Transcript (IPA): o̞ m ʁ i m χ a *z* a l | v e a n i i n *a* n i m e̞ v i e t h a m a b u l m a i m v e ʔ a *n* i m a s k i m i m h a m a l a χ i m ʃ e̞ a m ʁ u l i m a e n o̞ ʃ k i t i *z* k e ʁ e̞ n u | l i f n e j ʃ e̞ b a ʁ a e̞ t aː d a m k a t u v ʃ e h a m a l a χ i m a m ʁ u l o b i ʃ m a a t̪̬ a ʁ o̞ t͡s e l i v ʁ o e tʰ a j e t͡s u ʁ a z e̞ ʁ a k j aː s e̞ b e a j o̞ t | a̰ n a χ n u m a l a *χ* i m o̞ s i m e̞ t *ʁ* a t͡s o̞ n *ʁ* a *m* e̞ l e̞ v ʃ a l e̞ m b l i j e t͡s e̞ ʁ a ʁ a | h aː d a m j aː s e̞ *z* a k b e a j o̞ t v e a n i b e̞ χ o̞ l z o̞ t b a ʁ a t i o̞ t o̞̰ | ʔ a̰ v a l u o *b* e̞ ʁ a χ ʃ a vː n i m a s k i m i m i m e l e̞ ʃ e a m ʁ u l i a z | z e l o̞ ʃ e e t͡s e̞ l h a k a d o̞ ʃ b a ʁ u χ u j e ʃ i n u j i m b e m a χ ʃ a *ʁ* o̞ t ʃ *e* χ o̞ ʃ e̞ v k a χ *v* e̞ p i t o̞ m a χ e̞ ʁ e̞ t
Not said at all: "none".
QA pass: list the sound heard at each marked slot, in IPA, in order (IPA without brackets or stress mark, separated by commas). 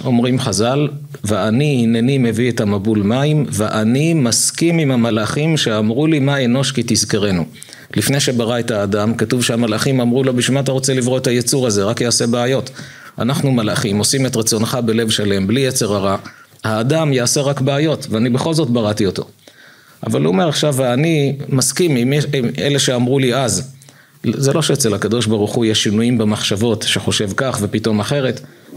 z, e, n, z, χ, ʁ, χ, b, ʁ, m, v, e, v